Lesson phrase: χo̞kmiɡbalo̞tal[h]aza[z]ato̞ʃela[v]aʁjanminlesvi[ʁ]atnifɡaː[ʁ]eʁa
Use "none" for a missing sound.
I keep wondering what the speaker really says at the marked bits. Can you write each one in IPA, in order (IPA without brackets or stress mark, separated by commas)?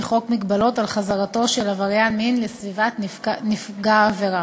χ, ʁ, v, v, v